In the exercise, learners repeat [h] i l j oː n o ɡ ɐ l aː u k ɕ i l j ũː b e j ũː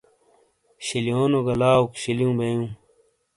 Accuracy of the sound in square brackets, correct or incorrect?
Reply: incorrect